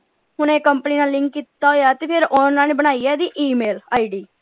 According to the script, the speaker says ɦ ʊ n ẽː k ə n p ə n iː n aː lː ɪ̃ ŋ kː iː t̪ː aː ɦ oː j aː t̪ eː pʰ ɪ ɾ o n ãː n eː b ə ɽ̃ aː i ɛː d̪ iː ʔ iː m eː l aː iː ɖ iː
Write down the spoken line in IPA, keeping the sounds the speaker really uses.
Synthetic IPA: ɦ ʊ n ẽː k ə m p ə n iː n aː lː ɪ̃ ŋ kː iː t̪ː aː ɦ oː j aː t̪ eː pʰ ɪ ɾ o n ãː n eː b ə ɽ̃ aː i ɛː d̪ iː ʔ iː m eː l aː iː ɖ iː